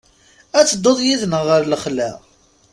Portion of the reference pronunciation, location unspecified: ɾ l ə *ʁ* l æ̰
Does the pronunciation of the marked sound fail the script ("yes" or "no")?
yes